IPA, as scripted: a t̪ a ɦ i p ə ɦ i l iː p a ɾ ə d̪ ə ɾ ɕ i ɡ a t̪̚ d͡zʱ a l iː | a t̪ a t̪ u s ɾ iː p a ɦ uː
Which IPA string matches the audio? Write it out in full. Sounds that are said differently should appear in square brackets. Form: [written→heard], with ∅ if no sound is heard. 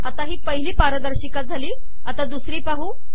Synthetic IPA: a t̪ a ɦ [i→iː] p ə ɦ i l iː p a ɾ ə d̪ ə ɾ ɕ i [ɡ→k] a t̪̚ d͡zʱ a l iː | a t̪ a [t̪→d̪] u s ɾ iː p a ɦ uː